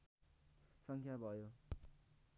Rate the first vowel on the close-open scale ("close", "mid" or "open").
mid